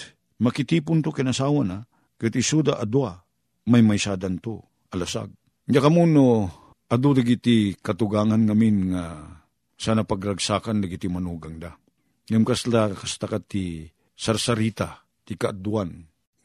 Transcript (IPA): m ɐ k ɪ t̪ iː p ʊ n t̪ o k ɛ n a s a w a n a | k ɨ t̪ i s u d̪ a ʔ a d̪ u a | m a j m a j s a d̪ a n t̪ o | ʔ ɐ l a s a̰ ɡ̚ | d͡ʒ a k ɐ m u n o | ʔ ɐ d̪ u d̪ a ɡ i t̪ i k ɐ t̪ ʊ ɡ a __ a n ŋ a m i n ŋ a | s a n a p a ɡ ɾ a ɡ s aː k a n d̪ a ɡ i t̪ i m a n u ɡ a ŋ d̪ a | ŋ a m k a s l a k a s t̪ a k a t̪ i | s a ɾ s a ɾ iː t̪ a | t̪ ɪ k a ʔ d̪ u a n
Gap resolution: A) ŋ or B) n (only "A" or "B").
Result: A